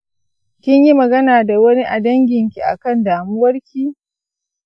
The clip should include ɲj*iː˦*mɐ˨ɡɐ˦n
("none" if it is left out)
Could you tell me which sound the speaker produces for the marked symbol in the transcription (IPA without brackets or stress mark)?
i˦